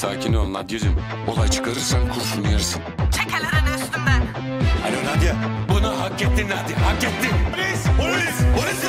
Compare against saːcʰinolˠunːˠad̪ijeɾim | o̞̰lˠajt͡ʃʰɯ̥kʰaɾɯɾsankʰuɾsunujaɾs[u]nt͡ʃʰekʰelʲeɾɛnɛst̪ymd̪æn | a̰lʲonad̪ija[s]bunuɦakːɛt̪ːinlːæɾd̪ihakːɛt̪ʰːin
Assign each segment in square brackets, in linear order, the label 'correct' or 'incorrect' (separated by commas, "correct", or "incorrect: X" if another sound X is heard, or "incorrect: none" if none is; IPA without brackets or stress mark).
incorrect: ɯ, incorrect: none